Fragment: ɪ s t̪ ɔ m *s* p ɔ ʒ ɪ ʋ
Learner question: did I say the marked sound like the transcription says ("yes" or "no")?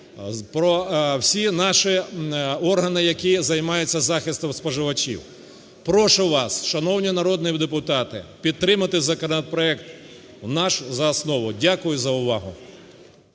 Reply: yes